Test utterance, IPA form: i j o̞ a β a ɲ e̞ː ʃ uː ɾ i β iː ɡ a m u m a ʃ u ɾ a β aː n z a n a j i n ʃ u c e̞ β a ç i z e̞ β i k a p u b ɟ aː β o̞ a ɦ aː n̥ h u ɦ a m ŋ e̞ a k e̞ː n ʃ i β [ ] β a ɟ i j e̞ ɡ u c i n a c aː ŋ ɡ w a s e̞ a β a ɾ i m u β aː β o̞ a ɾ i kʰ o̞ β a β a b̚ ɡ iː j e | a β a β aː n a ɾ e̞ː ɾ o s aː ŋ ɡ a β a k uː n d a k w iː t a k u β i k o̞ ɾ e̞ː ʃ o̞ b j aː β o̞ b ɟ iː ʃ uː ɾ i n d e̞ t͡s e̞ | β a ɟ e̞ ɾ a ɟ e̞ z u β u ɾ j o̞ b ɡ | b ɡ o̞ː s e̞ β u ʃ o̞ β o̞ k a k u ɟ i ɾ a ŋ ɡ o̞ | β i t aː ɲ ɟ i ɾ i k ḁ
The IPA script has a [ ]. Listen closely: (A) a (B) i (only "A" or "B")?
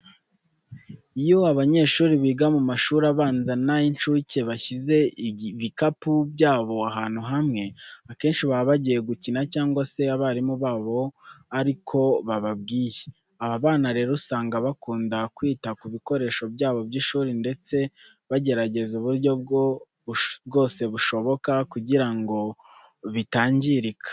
A